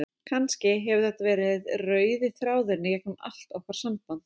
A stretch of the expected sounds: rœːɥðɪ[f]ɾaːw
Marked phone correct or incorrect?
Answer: incorrect